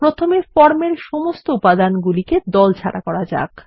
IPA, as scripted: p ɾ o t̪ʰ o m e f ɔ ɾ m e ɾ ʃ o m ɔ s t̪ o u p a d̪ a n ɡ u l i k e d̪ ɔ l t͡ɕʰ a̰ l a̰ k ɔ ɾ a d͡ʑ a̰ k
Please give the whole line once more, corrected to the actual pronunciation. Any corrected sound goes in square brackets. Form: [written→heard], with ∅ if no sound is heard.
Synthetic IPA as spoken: p ɾ o t̪ʰ o m e f ɔ ɾ m e ɾ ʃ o m [ɔ→o] s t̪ o u p a d̪ a n ɡ u l i k e d̪ ɔ l t͡ɕʰ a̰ [l→ɽ] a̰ k ɔ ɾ a d͡ʑ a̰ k